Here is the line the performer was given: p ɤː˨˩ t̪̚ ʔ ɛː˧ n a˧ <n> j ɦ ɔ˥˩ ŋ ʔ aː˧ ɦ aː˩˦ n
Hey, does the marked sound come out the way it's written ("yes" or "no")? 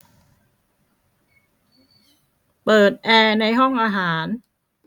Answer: no